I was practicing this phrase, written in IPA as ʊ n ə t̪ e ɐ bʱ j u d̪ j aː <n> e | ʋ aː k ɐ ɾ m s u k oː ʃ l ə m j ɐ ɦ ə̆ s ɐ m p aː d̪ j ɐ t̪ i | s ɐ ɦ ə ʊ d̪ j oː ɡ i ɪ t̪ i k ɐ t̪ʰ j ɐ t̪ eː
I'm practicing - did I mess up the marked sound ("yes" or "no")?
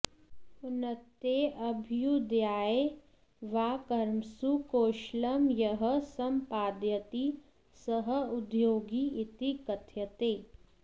yes